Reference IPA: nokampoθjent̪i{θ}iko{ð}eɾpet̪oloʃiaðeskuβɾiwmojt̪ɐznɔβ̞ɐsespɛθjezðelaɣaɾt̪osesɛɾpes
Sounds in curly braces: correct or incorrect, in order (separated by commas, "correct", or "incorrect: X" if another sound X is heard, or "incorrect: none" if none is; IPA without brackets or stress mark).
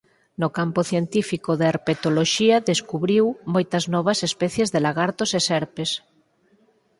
incorrect: f, correct